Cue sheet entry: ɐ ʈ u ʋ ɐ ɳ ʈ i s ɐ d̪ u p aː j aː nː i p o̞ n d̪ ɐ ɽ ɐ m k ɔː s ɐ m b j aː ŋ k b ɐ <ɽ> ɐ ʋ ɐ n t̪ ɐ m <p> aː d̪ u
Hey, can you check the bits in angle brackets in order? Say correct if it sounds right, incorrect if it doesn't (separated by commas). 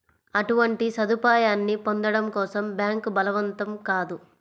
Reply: incorrect, incorrect